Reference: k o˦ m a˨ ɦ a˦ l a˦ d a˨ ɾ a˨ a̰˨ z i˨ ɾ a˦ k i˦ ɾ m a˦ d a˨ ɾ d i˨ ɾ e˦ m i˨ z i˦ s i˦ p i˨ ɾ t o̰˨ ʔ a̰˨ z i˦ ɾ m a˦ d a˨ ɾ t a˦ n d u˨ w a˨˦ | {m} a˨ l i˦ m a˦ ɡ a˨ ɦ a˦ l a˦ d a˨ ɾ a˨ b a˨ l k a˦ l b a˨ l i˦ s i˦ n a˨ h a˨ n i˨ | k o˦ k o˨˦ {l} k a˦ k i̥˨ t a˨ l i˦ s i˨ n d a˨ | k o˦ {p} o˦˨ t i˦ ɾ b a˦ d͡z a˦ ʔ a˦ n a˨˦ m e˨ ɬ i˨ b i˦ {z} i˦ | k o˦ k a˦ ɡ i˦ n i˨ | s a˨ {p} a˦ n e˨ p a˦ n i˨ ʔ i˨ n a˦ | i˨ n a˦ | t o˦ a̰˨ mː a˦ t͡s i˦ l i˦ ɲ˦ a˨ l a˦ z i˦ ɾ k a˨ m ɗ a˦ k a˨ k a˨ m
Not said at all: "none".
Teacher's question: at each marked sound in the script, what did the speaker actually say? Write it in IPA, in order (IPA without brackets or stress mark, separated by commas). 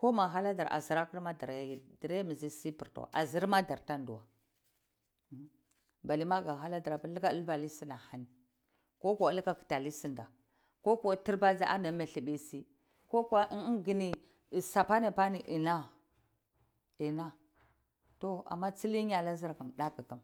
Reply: b, l, k, s, p